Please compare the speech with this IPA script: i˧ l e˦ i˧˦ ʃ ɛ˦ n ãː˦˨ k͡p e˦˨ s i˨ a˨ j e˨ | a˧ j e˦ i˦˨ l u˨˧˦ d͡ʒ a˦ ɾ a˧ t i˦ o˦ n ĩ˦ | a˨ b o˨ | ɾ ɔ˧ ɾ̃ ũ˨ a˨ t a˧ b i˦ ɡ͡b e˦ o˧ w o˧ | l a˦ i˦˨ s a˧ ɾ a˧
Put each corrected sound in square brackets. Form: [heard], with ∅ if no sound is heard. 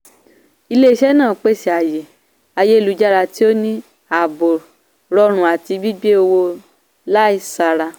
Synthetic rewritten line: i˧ l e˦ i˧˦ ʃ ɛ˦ n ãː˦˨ k͡p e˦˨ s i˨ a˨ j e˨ | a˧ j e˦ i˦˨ l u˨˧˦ d͡ʒ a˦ ɾ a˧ t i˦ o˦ n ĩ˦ | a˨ b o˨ | ɾ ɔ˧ ɾ̃ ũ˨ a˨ t [i˧] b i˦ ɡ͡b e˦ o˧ w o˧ | l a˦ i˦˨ s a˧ ɾ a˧